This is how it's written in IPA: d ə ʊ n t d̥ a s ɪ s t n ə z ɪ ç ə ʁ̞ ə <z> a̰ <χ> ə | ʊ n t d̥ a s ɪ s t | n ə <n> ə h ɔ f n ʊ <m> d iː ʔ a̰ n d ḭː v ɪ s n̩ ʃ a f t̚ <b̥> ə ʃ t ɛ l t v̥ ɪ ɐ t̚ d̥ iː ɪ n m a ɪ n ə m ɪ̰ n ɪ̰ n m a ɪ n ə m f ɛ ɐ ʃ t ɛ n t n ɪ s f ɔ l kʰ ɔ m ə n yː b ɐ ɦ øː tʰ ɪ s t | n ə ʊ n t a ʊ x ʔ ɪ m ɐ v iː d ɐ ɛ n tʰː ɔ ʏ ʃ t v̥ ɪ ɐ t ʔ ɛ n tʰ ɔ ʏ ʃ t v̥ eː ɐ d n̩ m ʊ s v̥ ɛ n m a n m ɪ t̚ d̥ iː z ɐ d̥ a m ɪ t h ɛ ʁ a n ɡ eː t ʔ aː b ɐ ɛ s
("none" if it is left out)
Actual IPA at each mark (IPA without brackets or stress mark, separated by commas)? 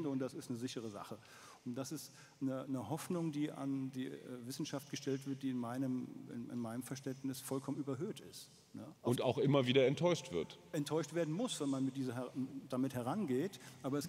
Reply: z, χ, n, ŋ, ɡ̥